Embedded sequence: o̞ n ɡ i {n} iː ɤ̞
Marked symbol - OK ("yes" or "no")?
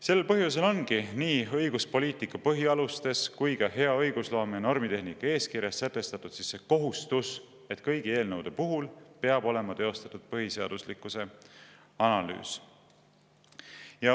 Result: yes